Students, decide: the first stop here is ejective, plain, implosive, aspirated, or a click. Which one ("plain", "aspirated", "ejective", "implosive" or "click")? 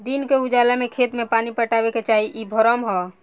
plain